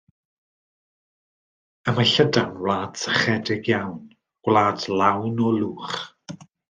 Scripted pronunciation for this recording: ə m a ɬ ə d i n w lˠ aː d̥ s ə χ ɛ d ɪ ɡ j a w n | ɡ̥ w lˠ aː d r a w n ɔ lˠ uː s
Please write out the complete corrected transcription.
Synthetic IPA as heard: ə m a ɬ ə d a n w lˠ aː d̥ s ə χ ɛ d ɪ ɡ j a w n | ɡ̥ w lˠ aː d l a w n ɔ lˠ uː χ

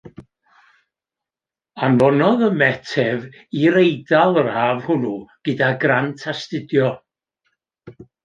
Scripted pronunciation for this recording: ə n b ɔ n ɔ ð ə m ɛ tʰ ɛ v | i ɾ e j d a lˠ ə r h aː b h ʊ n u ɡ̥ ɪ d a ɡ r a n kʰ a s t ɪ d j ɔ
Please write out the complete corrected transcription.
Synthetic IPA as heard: a n v ɔ n ɔ ð ə m ɛ tʰ ɛ v | i ɾ e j d a lˠ ə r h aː v h ʊ n u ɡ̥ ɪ d a ɡ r a n tʰ a s t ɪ d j ɔ

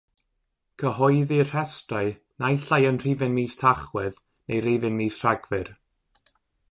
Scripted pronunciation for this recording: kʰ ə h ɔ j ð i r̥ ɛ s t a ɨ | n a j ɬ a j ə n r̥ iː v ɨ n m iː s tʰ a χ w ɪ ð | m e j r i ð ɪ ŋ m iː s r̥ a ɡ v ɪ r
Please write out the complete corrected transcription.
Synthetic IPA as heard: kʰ ə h ɔ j ð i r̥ ɛ s t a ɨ | n a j ɬ a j ə n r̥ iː v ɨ n m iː s tʰ a χ w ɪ ð | n e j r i v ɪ n m iː s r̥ a ɡ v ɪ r

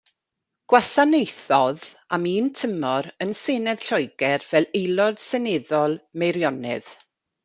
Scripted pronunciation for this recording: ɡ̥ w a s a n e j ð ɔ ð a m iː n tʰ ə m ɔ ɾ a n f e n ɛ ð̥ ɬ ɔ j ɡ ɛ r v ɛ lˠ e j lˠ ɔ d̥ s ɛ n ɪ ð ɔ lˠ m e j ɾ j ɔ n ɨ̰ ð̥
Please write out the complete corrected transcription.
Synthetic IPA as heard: ɡ̥ w a s a n e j θ ɔ ð a m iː n tʰ ə m ɔ ɾ ə n s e n ɛ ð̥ ɬ ɔ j ɡ ɛ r v ɛ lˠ e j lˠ ɔ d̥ s ɛ n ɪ ð ɔ lˠ m e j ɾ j ɔ n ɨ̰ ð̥

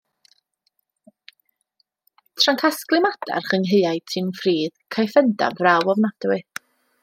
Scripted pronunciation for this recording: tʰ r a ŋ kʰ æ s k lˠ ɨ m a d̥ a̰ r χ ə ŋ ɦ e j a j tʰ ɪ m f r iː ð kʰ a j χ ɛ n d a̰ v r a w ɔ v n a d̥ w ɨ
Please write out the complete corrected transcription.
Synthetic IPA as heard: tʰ r a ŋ kʰ a s k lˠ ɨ m a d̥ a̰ r χ ə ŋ ɦ e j a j tʰ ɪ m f r iː ð kʰ a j f ɛ n d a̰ v r a w ɔ v n a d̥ w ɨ

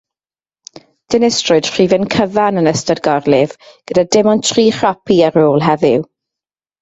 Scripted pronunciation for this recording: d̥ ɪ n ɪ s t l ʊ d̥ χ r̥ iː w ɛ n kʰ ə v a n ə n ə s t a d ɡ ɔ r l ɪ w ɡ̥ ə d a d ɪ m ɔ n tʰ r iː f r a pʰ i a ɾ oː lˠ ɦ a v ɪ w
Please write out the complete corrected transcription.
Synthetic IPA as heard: d̥ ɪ n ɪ s t r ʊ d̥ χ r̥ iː v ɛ n kʰ ə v a n ə n ə s t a d ɡ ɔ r l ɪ v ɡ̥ ə d a d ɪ m ɔ n tʰ r iː χ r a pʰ i a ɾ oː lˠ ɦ ɛ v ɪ w

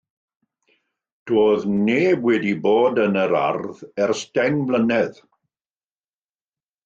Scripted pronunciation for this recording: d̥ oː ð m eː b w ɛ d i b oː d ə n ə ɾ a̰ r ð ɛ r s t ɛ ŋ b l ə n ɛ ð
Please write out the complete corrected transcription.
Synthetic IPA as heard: d̥ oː ð n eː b w ɛ d i b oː d ə n ə ɾ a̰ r ð ɛ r s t ɛ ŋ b l ə n ɛ ð

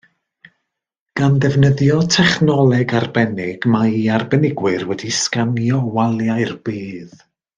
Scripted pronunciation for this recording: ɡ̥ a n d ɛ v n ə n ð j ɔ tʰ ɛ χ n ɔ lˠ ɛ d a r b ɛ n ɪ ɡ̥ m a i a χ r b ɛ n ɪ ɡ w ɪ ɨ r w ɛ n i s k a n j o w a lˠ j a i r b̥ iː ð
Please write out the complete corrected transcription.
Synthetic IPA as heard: ɡ̥ a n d ɛ v n ə ð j ɔ tʰ ɛ χ n ɔ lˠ ɛ ɡ a r b ɛ n ɪ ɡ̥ m a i a r b ɛ n ɪ ɡ w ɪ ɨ r w ɛ d i s k a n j ɔ w a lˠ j a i r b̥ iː ð

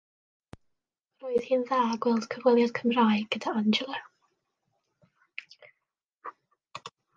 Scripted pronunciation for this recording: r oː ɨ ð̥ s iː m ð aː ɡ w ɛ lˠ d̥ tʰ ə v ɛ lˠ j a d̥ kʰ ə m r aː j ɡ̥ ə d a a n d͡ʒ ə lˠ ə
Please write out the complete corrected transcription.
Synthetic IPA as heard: r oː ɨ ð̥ h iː n ð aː ɡ w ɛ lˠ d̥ kʰ ə v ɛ lˠ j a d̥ kʰ ə m r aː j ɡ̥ ə d a a n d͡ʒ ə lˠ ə

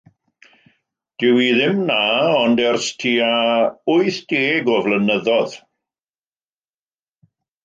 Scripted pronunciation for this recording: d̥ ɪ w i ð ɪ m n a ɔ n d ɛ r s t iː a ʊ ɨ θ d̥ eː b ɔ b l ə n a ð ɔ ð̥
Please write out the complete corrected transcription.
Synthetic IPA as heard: d̥ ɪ w i ð ɪ m n a ɔ n d ɛ r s tʰ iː a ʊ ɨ θ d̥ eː ɡ ɔ v l ə n ə ð ɔ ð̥

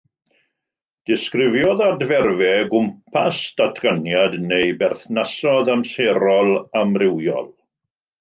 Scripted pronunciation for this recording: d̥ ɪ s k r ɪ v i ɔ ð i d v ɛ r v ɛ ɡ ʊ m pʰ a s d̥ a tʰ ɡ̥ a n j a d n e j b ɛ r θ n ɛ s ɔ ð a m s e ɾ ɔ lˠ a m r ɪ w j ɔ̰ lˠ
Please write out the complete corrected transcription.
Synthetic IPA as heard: d̥ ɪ s k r ɪ v j ɔ ð a d v ɛ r v ɛ ɡ ʊ m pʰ a s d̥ a tʰ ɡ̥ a n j a d n e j b ɛ r θ n a s ɔ ð a m s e ɾ ɔ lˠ a m r ɪ w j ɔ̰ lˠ

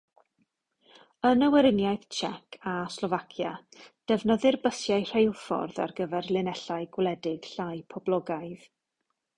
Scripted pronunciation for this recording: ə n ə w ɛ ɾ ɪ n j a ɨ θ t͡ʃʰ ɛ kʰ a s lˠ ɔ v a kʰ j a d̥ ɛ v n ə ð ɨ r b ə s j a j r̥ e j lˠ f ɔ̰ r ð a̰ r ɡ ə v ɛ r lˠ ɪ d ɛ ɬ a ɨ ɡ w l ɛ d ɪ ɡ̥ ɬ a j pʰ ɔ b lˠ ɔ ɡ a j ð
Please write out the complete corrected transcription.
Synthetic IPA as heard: ə n ə w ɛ ɾ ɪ n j a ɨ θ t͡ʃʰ ɛ kʰ a s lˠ ɔ v a kʰ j a d̥ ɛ v n ə ð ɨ r b ə s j a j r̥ e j lˠ f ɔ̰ r ð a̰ r ɡ ə v ɛ r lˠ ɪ n ɛ ɬ a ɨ ɡ w l ɛ d ɪ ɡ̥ ɬ a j pʰ ɔ b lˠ ɔ ɡ a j ð

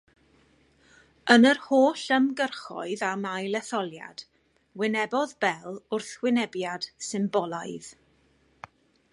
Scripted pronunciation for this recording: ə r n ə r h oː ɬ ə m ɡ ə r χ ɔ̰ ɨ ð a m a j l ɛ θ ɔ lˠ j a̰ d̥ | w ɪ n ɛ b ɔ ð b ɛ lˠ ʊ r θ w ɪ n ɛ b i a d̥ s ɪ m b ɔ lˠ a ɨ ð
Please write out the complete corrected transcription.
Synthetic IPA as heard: ə n ə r h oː ɬ ə m ɡ ə r χ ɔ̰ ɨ ð a m a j l ɛ θ ɔ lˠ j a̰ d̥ | w ɪ n ɛ b ɔ ð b ɛ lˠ ʊ r θ w ɪ n ɛ b j a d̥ s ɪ m b ɔ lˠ a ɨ ð

